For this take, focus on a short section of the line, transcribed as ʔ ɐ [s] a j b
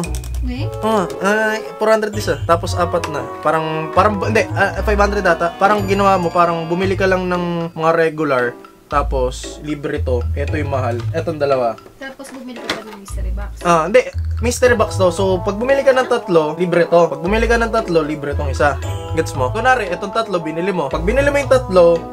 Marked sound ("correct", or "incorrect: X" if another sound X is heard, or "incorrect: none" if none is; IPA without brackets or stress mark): incorrect: f